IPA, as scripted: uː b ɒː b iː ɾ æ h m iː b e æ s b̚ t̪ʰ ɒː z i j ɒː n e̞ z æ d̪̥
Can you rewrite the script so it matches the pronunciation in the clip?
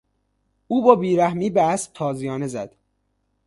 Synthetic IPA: uː b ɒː b iː ɾ æ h m iː b e æ s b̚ t̪ʰ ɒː z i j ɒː n e̞ z æ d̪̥